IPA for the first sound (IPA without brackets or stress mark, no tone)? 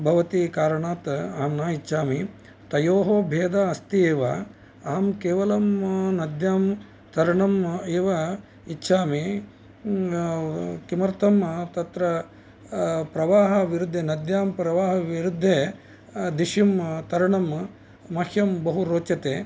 bʱ